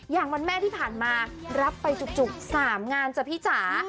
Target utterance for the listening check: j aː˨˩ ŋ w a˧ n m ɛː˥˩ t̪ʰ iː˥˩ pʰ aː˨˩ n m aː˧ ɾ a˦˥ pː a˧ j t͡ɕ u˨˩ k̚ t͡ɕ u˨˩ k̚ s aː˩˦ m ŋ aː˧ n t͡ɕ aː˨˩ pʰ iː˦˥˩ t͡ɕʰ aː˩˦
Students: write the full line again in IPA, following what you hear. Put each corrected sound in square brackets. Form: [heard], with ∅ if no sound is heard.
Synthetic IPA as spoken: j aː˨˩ ŋ w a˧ n m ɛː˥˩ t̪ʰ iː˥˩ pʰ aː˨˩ n m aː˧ ɾ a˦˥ pː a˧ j t͡ɕ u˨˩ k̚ t͡ɕ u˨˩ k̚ s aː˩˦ m ŋ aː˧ n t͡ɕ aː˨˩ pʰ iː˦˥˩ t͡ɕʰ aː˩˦